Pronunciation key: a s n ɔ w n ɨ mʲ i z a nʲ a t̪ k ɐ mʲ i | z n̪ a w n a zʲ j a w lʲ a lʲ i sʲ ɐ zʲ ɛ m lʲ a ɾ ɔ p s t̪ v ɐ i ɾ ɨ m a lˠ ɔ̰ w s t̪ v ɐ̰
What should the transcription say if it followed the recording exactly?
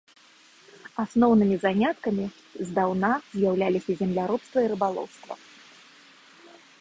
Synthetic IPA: a s n ɔ w n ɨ mʲ i z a nʲ a t̪ k ɐ mʲ i | z d̪ a w n a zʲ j a w lʲ a lʲ i sʲ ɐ zʲ ɛ m lʲ a ɾ ɔ p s t̪ v ɐ i ɾ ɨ b a lˠ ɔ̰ w s t̪ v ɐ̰